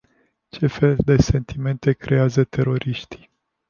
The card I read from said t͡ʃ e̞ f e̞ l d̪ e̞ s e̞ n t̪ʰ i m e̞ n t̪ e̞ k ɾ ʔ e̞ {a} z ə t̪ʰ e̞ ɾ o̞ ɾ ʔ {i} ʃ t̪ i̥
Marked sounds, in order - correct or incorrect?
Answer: correct, correct

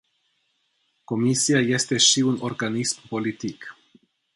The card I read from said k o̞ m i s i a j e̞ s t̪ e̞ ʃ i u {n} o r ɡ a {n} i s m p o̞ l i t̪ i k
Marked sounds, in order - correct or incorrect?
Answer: correct, correct

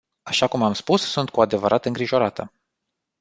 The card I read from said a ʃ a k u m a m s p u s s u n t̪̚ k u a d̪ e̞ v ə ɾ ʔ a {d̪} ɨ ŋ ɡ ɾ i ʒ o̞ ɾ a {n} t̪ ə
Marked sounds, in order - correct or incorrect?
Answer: incorrect: t̪, incorrect: none

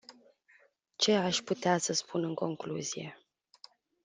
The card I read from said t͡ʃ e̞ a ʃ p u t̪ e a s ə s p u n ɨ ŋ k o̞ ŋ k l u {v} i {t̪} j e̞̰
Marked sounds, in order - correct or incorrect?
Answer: incorrect: z, incorrect: none

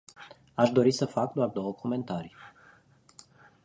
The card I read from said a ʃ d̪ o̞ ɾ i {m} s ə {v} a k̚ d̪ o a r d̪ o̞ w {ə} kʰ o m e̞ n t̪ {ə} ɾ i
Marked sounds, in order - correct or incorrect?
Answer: incorrect: none, incorrect: f, correct, incorrect: a

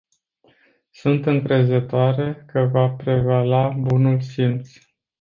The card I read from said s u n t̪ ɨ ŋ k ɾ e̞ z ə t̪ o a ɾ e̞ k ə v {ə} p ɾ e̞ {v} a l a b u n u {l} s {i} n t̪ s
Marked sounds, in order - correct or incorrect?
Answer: incorrect: a, correct, correct, correct

